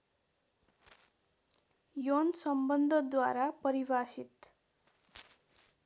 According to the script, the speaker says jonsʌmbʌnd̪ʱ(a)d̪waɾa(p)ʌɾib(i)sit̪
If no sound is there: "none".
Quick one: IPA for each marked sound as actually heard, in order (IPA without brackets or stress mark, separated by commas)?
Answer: ʌ, p, a